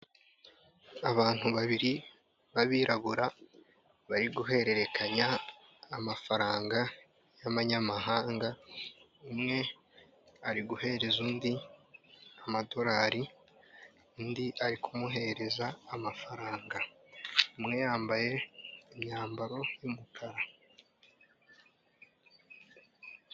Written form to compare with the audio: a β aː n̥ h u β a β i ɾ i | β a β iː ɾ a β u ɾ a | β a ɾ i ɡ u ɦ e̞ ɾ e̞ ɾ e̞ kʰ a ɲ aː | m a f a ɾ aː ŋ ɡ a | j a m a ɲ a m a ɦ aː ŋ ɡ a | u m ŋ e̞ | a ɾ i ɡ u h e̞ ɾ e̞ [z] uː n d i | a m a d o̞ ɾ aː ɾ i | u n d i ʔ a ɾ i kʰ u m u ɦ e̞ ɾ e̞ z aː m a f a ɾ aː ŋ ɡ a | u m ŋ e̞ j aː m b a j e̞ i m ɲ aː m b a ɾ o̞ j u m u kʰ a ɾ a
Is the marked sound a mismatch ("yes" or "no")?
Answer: no